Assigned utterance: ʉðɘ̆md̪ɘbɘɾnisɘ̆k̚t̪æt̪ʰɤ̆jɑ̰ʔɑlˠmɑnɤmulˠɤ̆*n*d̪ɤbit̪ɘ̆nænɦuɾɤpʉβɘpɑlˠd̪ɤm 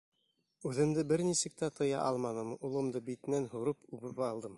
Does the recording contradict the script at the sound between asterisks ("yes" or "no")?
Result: yes